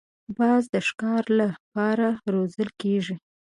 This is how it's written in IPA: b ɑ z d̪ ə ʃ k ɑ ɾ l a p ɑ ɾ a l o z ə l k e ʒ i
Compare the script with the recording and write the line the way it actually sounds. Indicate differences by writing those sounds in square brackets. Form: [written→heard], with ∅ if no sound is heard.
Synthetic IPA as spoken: b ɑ z d̪ ə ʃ k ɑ ɾ l a p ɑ ɾ a [l→ɾ] o z ə l k e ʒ i